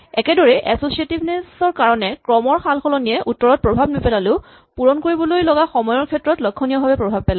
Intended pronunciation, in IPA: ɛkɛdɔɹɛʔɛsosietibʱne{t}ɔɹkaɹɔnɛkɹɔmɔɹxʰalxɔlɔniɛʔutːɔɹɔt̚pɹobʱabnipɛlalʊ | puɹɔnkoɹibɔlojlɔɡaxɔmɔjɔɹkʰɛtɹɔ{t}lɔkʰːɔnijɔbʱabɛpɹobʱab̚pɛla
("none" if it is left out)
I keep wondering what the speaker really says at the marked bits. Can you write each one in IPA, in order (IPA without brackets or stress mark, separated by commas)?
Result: s, t